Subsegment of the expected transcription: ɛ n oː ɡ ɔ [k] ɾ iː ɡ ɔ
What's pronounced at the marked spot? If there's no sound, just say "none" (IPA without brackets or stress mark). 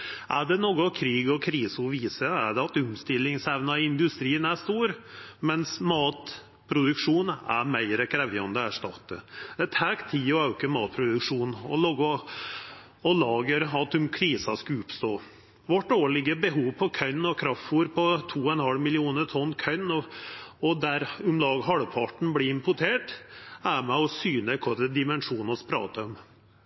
kʰ